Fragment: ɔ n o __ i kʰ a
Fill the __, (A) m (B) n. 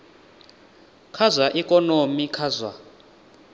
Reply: A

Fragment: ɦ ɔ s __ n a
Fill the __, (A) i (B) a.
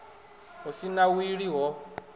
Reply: A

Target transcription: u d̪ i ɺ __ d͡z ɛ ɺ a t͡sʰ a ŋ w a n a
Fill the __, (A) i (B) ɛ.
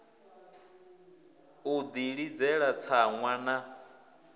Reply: A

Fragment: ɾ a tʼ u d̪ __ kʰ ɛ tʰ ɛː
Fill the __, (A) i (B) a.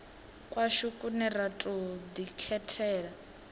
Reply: A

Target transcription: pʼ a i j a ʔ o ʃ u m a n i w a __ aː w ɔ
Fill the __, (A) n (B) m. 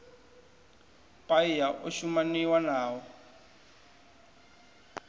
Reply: A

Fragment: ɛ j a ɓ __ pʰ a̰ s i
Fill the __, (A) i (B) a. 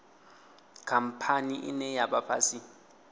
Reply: B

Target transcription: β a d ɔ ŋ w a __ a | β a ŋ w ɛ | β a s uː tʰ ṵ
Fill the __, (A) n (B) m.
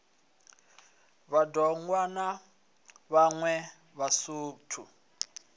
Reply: A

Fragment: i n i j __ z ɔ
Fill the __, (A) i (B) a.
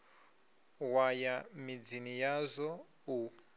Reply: B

